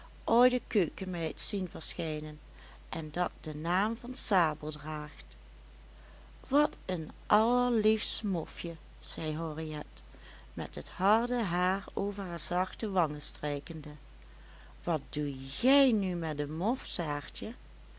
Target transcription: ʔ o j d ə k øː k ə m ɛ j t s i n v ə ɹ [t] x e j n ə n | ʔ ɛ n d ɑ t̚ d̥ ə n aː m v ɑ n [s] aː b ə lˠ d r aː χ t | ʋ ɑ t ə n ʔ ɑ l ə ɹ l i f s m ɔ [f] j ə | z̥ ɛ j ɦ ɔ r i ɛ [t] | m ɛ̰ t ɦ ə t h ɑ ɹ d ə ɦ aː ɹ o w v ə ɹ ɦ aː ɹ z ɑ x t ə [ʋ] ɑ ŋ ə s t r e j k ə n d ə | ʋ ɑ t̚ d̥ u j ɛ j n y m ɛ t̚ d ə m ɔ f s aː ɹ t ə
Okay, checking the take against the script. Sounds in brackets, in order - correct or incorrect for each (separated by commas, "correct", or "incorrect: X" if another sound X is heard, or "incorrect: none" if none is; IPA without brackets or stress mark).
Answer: incorrect: s, correct, correct, correct, correct